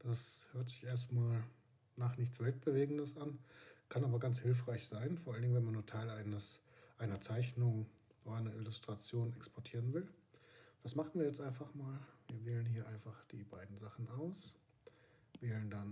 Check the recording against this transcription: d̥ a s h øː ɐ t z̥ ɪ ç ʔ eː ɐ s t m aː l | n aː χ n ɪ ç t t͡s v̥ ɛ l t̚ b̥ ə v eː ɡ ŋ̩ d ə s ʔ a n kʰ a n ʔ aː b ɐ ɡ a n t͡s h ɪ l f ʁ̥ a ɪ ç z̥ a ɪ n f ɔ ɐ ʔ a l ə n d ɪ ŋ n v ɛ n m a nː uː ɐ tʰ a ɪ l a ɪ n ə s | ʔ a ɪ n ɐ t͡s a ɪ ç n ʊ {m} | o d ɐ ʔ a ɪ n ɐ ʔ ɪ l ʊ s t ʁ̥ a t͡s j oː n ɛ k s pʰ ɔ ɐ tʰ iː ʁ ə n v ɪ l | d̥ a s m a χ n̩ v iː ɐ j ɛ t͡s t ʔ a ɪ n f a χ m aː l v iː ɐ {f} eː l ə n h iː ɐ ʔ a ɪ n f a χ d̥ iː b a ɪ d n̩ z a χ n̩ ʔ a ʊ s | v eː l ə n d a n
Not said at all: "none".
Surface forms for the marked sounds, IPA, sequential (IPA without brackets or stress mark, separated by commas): ŋ, v